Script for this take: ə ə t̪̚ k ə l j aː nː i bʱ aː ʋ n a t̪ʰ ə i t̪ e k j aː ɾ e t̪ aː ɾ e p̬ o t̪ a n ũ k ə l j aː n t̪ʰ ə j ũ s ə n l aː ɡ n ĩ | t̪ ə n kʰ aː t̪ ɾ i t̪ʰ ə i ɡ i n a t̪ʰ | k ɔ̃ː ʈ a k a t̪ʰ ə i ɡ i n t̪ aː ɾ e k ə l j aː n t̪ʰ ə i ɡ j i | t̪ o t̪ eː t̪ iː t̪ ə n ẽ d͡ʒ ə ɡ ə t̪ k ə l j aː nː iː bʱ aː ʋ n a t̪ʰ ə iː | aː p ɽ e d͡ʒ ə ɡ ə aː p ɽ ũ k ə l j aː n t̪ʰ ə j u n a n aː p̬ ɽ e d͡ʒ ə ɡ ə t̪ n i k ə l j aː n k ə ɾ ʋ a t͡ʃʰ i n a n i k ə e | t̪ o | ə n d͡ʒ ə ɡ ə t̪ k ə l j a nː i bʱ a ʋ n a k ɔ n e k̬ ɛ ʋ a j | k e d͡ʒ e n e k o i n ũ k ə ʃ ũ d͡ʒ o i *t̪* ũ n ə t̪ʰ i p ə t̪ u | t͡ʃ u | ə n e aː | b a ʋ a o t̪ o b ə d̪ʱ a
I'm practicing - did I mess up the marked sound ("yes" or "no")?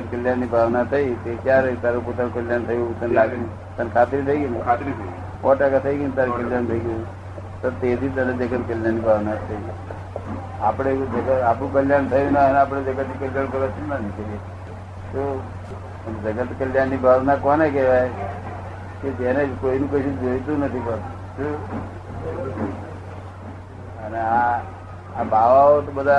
no